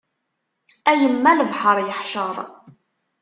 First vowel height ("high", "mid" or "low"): low